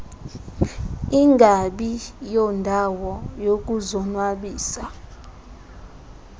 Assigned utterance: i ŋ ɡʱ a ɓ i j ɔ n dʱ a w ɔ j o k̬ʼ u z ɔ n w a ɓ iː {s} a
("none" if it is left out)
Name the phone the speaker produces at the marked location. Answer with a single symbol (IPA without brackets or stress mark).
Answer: s